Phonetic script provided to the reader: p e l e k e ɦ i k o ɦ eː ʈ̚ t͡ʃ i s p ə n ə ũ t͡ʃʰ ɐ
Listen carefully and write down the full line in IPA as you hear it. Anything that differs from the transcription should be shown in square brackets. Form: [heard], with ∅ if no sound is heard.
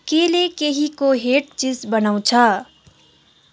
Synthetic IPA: [k] e l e k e ɦ i k o ɦ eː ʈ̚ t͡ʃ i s [b] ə n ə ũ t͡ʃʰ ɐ